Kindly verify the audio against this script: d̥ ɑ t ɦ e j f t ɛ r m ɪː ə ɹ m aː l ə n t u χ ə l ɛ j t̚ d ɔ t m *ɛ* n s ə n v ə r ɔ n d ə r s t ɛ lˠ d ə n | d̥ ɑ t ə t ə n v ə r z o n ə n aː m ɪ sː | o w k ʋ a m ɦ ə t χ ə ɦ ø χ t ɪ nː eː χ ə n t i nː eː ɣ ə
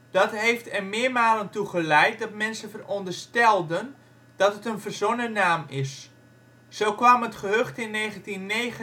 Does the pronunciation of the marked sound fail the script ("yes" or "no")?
no